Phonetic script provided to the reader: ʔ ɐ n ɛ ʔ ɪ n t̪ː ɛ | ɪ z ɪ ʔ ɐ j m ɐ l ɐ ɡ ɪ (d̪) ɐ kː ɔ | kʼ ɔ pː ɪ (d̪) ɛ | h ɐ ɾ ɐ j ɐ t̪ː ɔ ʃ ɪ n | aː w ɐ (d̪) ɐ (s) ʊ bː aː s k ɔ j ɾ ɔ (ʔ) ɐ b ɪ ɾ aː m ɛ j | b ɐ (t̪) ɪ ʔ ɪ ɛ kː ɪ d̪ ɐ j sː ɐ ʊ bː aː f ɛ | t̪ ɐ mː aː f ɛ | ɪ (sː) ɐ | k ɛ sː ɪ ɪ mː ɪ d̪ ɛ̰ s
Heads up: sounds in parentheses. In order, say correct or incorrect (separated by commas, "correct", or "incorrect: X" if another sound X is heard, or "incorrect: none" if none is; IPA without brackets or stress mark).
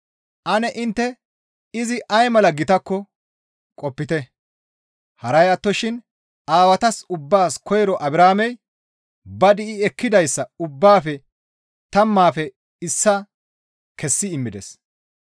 incorrect: t̪, incorrect: t̪, incorrect: t̪, correct, correct, incorrect: d̪, correct